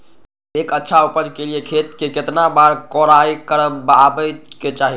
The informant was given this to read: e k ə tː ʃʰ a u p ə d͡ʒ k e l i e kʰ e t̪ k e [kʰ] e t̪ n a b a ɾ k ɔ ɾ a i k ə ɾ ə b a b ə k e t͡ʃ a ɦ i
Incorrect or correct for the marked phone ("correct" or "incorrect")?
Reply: incorrect